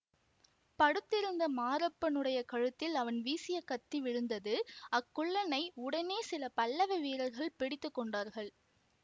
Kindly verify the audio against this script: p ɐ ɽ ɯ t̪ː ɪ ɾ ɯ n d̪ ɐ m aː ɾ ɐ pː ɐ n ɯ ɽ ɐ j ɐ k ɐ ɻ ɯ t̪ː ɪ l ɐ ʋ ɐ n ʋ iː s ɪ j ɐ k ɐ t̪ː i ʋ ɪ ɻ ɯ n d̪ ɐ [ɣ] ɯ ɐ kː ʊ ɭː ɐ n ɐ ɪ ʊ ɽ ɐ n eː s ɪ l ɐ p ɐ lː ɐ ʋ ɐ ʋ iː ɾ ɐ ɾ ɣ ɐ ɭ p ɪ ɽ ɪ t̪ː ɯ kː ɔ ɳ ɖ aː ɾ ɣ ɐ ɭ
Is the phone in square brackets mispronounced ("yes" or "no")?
yes